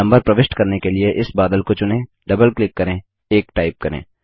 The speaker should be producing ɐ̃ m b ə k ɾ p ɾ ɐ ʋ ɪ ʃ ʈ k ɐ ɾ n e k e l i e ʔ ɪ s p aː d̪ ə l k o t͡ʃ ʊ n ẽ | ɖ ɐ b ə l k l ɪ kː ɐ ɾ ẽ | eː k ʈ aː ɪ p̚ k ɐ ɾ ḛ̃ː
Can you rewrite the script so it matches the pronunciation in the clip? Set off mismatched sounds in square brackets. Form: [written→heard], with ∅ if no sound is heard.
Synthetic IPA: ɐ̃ m b ə [k→∅] ɾ p ɾ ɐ ʋ ɪ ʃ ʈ k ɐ ɾ n e k e l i e ʔ ɪ s [p→b] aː d̪ ə l k o t͡ʃ ʊ n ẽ | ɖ ɐ b ə l k l ɪ kː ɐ ɾ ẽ | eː k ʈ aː ɪ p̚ k ɐ ɾ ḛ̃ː